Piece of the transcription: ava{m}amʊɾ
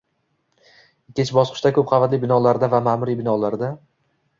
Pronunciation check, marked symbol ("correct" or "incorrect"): correct